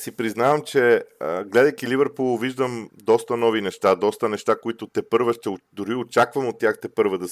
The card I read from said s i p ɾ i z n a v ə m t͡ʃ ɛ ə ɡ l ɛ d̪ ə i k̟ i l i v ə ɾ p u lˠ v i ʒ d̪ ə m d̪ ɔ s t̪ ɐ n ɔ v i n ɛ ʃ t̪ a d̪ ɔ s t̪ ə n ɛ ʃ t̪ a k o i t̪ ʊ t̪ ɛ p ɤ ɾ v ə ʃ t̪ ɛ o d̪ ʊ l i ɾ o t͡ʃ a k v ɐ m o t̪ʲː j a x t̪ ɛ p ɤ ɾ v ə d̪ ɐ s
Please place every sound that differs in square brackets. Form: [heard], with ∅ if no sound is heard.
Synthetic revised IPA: s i p ɾ i z n a v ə m t͡ʃ ɛ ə ɡ l ɛ d̪ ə [j] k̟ i l i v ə ɾ p u lˠ v i ʒ d̪ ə m d̪ ɔ s t̪ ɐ n ɔ v i n ɛ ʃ t̪ a d̪ ɔ s t̪ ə n ɛ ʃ t̪ a k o i t̪ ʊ t̪ ɛ p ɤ ɾ v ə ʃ t̪ ɛ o d̪ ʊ [ɾ] i [∅] o t͡ʃ a k v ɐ m o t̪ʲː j a x t̪ ɛ p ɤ ɾ v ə d̪ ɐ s